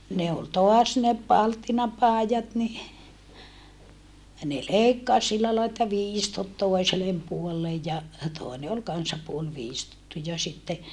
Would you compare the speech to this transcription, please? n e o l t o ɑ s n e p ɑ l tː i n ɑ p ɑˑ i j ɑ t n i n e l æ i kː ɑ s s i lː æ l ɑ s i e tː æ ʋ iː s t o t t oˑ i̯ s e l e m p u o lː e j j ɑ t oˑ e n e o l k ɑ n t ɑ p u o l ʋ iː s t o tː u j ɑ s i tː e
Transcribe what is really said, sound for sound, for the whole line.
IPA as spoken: n e o l t o ɑ s n e p ɑ l tː i n ɑ p ɑˑ i j ɑ t n i n e l e i kː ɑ s s i lː æ l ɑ i e tː æ ʋ iː s t o t t oˑ i̯ s e l e m p u o lː e j j ɑ t oˑ e n e o l k ɑ n s ɑ p u o l ʋ iː s t o tː u j ɑ s i tː e